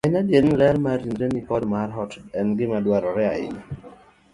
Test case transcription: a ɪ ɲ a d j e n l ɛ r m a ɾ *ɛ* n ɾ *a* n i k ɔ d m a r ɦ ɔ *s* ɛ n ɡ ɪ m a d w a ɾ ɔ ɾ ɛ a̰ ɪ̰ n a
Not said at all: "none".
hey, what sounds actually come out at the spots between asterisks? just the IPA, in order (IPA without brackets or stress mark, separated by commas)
i, e, t